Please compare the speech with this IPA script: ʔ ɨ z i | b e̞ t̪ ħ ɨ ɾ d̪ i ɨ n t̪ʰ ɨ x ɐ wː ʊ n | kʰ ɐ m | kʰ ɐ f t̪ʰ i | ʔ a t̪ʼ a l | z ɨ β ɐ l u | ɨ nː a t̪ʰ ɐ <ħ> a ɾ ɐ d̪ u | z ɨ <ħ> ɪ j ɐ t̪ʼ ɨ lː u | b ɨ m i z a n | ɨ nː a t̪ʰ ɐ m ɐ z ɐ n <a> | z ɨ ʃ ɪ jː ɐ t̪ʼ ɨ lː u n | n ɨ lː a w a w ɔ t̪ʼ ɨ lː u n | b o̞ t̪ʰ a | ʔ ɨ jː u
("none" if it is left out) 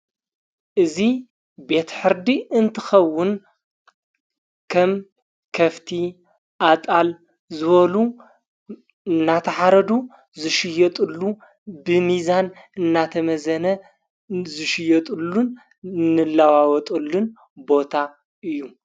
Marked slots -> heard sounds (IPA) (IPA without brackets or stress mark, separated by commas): ħ, ʃ, ɐ